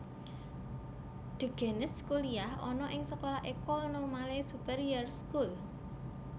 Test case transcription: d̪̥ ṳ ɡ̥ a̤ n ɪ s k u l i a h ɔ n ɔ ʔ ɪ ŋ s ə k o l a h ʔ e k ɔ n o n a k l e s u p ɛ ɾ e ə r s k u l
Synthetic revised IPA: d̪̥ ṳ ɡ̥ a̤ n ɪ s k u l i a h ɔ n ɔ ʔ ɪ ŋ s ə k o l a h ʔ e k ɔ n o m a l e s u p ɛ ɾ i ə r s k u l